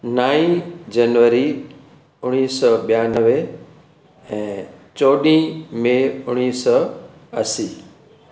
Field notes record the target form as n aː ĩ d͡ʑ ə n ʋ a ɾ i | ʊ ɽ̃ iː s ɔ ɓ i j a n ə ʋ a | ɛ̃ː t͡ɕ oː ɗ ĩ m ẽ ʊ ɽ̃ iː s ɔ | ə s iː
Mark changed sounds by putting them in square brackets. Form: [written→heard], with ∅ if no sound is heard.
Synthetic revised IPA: n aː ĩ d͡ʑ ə n ʋ [a→ə] ɾ i | ʊ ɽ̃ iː s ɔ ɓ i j a n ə ʋ [a→e] | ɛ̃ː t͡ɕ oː ɗ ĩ m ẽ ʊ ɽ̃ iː s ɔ | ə s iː